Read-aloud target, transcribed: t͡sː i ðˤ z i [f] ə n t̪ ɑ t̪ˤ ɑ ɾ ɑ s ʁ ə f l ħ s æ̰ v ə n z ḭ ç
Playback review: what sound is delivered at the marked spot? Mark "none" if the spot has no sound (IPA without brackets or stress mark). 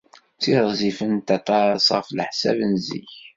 f